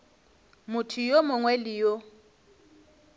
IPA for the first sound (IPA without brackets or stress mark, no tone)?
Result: m